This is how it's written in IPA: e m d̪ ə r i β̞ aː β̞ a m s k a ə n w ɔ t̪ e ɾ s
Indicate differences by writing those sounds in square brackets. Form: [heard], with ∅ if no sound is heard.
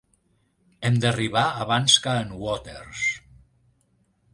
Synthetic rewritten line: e m d̪ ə r i β̞ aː β̞ a [n] s k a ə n w ɔ t̪ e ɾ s